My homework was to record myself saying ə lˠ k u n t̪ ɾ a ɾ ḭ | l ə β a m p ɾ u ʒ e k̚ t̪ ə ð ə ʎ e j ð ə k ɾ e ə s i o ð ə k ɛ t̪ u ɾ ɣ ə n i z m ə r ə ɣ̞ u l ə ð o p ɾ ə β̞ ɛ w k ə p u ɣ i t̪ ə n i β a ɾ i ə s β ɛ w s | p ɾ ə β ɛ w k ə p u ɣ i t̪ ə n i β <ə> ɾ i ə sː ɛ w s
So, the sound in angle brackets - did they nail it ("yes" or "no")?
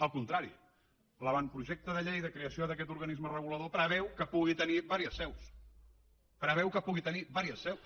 no